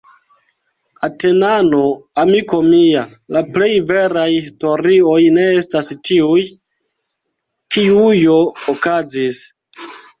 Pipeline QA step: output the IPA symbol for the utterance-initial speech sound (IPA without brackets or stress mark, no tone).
a